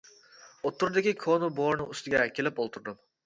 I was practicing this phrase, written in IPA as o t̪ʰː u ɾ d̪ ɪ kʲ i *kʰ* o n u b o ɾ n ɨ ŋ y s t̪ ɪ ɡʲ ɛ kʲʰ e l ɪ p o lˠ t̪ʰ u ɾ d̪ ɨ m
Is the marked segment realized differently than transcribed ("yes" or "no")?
no